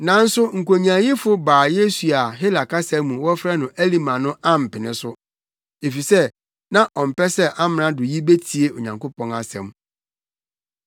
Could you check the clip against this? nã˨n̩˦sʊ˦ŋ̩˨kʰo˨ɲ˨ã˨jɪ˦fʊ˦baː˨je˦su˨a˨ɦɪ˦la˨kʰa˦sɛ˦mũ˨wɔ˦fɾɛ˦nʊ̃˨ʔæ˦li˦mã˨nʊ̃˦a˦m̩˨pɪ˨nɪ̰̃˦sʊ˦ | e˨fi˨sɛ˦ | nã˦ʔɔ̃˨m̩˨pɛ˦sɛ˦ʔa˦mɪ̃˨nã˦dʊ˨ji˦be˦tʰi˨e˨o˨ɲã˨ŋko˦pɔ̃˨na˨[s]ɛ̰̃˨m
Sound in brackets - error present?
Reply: no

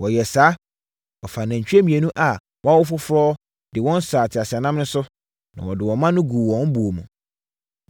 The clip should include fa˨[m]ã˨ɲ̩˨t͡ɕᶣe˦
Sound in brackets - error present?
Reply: yes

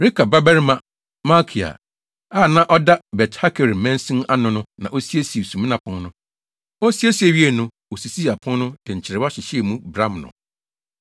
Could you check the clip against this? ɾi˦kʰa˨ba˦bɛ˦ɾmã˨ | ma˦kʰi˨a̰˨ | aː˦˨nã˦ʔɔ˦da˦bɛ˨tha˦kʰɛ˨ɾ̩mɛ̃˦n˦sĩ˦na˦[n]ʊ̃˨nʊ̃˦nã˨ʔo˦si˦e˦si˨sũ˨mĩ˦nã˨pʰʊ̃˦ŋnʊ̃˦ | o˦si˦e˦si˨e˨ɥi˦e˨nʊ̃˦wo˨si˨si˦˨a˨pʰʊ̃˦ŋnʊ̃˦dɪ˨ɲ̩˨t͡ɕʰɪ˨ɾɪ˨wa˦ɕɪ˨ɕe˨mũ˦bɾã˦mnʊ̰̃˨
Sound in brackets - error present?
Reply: no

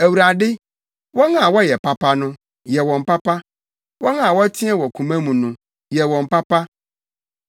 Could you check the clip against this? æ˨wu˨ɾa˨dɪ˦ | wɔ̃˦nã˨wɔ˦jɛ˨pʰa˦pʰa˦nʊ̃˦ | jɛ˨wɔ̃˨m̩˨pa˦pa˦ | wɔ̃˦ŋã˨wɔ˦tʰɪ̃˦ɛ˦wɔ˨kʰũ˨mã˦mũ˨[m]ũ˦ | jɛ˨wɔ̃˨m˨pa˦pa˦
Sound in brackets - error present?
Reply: yes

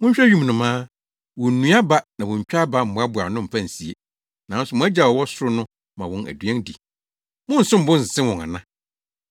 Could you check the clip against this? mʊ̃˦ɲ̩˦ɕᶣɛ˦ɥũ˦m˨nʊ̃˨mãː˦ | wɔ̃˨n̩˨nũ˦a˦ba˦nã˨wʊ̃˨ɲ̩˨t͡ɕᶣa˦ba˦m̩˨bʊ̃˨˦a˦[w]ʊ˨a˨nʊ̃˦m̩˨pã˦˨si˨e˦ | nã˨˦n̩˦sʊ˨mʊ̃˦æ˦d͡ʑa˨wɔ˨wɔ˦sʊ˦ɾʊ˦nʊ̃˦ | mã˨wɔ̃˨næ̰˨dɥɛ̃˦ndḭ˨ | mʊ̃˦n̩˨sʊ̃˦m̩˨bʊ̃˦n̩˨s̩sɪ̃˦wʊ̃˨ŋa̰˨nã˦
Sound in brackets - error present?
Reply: yes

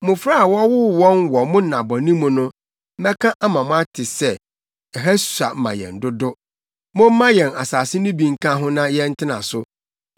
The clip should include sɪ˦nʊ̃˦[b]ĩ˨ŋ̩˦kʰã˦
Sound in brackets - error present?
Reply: no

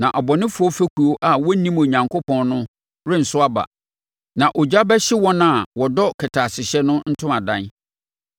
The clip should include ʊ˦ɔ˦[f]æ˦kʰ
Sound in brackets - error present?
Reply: no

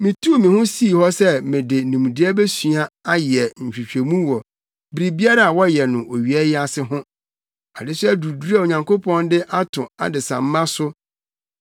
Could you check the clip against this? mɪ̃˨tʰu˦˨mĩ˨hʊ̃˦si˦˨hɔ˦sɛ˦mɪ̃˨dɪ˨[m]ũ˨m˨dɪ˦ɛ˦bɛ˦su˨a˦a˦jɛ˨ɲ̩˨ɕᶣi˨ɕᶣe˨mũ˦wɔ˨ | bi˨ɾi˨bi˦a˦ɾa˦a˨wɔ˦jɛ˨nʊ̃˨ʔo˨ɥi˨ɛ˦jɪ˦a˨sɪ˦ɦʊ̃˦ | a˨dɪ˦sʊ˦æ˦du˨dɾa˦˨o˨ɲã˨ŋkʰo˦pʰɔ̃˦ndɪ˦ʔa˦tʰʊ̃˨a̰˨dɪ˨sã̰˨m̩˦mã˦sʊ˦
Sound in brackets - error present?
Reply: yes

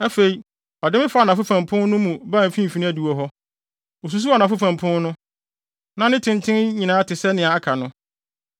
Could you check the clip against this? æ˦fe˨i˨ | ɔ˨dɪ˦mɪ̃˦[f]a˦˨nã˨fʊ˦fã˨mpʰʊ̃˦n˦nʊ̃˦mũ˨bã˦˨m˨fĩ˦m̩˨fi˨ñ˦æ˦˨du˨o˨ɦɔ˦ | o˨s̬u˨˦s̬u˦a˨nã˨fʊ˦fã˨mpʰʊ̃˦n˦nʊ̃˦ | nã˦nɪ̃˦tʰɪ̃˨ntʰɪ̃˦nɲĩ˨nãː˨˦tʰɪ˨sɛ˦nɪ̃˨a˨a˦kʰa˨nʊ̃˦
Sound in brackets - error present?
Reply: no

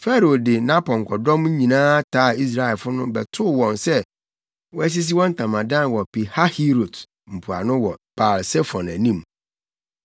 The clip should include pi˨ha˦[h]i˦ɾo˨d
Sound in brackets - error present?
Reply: no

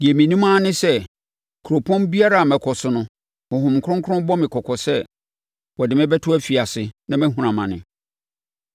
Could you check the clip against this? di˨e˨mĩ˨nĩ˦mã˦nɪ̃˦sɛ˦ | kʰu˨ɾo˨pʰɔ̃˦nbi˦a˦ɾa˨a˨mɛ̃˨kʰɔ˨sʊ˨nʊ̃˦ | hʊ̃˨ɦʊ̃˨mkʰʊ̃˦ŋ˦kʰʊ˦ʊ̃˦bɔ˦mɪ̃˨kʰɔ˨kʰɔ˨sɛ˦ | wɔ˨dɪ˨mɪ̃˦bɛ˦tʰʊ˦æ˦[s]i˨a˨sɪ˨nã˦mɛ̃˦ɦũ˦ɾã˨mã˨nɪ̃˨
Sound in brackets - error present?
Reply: yes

